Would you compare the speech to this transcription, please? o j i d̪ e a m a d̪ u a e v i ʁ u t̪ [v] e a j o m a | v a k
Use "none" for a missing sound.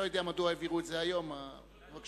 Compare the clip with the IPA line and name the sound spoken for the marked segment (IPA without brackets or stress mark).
z